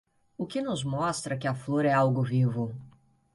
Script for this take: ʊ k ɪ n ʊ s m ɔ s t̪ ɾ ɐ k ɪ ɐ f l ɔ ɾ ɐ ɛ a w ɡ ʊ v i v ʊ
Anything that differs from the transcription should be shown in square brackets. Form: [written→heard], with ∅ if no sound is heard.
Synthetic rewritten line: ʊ k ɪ n ʊ [s→z] m ɔ s t̪ ɾ ɐ k ɪ ɐ f l [ɔ→o] ɾ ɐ ɛ a w ɡ ʊ v i v ʊ